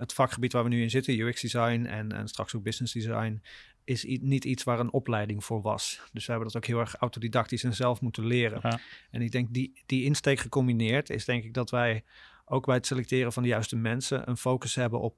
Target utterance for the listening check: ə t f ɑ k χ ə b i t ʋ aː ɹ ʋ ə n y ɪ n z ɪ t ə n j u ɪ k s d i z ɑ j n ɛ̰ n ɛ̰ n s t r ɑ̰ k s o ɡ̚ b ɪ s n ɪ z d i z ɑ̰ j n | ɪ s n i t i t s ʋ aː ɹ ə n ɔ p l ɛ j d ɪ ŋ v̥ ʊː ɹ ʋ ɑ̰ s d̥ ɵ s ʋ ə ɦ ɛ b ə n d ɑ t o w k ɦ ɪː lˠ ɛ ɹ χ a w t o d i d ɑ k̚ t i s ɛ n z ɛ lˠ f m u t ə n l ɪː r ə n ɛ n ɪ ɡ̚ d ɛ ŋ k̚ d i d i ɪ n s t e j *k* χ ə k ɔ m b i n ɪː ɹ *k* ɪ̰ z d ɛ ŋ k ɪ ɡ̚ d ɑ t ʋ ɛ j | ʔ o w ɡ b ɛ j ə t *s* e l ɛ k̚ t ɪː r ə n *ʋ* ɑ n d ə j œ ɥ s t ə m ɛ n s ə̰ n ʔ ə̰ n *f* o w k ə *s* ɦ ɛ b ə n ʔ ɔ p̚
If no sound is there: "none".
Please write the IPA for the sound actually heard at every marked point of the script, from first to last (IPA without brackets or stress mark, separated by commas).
k, t, s, v, f, s